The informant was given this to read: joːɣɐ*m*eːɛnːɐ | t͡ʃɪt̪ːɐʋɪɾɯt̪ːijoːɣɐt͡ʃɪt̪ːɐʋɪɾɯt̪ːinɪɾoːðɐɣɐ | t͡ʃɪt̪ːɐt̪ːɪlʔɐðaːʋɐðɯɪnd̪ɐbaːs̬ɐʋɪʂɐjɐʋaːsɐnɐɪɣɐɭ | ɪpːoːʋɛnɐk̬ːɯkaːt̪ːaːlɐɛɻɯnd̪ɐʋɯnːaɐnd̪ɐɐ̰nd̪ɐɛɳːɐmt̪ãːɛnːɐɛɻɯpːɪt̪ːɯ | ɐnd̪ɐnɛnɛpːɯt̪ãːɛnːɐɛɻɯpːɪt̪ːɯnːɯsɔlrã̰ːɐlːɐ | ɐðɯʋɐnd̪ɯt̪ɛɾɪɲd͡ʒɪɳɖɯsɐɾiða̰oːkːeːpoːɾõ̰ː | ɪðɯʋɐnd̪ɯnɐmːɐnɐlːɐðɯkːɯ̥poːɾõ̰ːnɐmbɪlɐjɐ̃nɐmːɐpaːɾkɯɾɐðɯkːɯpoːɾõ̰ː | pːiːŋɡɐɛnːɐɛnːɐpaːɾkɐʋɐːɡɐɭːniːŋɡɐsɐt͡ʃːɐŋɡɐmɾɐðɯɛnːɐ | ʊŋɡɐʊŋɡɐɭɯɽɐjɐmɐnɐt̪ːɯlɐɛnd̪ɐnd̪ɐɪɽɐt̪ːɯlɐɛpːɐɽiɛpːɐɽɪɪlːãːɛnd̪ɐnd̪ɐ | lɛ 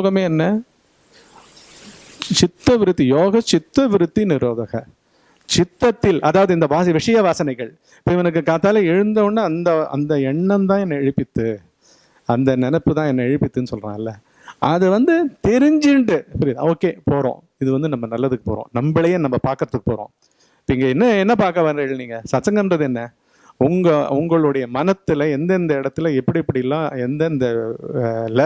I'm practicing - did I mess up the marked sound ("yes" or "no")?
no